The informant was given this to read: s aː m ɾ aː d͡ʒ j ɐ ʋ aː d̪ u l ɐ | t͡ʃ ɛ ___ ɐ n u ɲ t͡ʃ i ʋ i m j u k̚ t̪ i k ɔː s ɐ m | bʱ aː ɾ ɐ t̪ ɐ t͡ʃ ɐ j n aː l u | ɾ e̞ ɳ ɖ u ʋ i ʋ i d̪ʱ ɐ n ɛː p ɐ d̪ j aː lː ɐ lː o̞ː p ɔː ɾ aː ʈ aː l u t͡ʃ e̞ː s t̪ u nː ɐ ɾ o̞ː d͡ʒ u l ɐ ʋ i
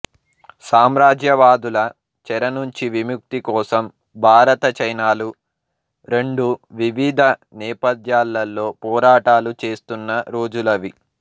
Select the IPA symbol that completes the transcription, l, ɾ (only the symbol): ɾ